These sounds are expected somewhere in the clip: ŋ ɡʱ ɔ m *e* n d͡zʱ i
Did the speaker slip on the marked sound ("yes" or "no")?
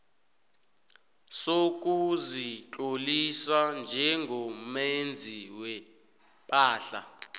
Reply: no